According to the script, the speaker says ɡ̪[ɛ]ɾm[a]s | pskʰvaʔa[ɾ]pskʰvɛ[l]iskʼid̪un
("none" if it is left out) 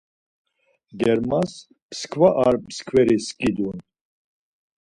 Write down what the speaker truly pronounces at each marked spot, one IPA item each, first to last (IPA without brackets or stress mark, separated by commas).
ɛ, a, ɾ, ɾ